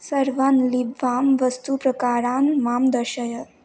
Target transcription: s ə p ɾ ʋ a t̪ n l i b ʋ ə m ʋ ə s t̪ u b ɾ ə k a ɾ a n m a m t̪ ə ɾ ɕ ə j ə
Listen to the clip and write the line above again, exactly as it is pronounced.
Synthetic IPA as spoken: s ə ɾ ʋ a n l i b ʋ a m ʋ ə s t̪ u p ɾ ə k a ɾ a n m a m d̪ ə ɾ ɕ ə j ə